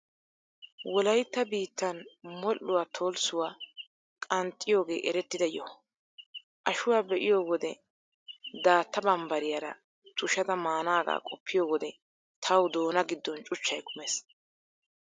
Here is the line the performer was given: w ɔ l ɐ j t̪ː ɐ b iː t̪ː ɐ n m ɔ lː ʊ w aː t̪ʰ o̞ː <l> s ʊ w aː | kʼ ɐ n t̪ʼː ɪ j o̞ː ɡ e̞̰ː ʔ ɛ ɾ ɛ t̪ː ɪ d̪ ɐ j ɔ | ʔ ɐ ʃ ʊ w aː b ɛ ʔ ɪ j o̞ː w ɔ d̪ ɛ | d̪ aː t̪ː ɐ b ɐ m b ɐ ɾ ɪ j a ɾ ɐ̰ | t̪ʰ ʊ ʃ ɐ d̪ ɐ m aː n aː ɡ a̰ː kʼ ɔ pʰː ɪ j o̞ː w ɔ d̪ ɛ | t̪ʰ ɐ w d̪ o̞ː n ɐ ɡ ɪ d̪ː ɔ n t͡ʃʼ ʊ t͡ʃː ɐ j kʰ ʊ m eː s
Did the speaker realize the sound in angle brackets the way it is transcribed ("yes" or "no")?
yes